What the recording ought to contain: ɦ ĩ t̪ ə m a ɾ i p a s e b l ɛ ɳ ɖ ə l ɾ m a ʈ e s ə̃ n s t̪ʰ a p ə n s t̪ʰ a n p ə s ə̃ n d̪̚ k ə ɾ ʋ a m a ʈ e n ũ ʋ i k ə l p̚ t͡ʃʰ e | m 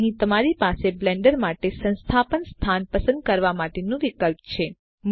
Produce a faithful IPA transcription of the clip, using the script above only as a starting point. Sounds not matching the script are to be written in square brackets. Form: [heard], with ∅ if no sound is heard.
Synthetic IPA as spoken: ɦ ĩ t̪ ə m a ɾ i p a s e b l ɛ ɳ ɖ ə [∅] ɾ m a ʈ e s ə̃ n s t̪ʰ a p ə n s t̪ʰ a n p ə s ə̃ n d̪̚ k ə ɾ ʋ a m a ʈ e n ũ ʋ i k ə l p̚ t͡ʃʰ e | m